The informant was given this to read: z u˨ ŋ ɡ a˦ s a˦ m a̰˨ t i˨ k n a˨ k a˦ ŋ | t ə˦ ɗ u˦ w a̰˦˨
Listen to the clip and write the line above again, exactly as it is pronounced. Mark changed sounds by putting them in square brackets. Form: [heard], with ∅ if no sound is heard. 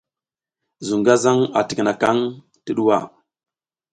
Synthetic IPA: z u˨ ŋ ɡ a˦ [z] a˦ [ŋ] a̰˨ t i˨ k n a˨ k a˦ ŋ | t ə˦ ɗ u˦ w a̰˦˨